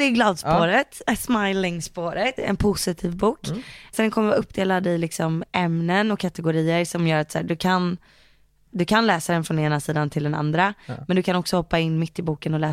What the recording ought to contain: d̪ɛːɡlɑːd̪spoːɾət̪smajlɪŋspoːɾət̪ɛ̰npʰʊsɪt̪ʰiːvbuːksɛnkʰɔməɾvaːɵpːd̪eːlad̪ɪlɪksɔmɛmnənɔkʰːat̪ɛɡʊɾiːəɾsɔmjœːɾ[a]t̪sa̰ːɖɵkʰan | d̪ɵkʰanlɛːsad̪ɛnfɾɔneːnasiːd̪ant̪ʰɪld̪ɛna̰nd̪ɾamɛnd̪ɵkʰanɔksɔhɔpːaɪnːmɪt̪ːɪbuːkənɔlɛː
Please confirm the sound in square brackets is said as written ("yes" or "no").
yes